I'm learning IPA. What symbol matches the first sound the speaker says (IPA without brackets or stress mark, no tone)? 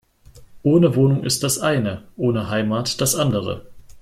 ʔ